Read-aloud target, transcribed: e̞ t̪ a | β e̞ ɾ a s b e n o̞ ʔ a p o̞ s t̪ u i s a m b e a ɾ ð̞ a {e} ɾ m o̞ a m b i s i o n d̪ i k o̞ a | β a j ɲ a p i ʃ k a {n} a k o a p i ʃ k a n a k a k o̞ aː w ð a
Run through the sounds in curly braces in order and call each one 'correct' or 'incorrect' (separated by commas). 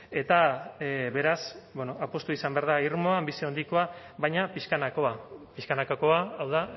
incorrect, correct